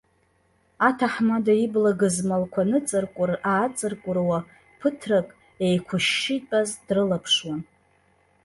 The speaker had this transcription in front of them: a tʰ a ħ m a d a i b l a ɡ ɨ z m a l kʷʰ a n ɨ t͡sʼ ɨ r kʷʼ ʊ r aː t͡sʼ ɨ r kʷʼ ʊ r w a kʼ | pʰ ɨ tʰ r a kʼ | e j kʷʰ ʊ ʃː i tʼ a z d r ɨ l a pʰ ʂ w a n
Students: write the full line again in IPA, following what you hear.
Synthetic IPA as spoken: a tʰ a ħ m a d a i b l a ɡ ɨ z m a l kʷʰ a n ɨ t͡sʼ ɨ r kʷʼ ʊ r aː t͡sʼ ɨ r kʷʼ ʊ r w a | pʰ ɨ tʰ r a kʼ | e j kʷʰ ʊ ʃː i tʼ a z d r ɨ l a pʰ ʂ w a n